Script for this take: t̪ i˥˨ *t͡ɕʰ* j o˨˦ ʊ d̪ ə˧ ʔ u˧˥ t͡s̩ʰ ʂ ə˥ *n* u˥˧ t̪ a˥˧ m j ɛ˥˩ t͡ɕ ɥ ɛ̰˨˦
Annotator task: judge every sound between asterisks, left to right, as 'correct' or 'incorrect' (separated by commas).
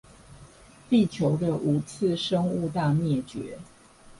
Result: correct, incorrect